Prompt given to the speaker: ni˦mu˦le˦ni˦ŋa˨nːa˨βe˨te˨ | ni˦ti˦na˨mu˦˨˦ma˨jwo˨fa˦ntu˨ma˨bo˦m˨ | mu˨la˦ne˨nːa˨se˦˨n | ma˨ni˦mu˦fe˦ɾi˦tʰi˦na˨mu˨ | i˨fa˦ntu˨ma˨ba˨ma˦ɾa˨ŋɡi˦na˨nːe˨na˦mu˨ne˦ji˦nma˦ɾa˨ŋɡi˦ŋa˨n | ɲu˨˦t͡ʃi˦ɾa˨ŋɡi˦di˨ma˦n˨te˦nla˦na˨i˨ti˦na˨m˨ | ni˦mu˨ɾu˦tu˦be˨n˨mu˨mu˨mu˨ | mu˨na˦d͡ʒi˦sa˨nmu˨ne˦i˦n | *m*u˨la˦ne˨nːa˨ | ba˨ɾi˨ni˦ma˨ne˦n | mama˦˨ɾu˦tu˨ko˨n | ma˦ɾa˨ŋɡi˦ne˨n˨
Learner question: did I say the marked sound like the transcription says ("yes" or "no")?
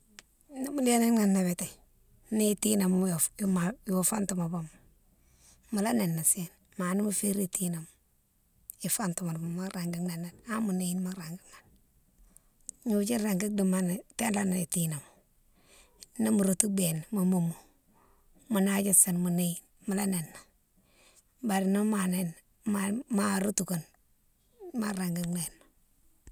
yes